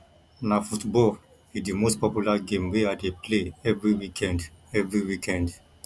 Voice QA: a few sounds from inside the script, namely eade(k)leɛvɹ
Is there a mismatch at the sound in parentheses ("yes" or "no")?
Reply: yes